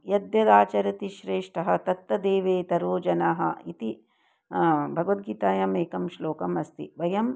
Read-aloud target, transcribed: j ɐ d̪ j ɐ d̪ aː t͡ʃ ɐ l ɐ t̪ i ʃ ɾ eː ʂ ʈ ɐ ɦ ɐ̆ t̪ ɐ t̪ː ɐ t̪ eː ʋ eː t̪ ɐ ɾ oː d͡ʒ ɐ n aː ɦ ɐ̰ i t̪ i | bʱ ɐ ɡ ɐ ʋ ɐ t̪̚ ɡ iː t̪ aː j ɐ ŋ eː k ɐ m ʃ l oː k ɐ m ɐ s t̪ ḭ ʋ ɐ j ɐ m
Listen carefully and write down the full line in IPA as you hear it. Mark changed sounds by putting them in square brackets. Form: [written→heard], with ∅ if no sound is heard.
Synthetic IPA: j ɐ d̪ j ɐ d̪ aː t͡ʃ ɐ [l→ɾ] ɐ t̪ i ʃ ɾ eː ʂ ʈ ɐ ɦ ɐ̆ t̪ ɐ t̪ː ɐ [t̪→d̪] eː ʋ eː t̪ ɐ ɾ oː d͡ʒ ɐ n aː ɦ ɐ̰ i t̪ i | bʱ ɐ ɡ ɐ ʋ ɐ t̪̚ ɡ iː t̪ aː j ɐ [ŋ→m] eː k ɐ m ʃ l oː k ɐ m ɐ s t̪ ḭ ʋ ɐ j ɐ m